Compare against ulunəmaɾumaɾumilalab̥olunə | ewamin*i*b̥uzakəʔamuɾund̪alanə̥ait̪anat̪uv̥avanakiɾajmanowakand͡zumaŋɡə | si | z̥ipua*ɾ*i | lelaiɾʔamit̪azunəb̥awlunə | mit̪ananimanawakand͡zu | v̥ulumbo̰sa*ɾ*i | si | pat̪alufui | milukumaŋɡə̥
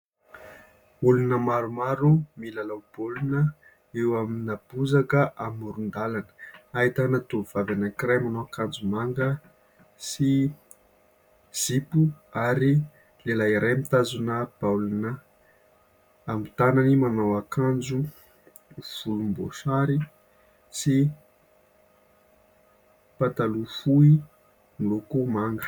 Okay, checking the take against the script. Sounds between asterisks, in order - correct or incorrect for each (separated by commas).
incorrect, correct, correct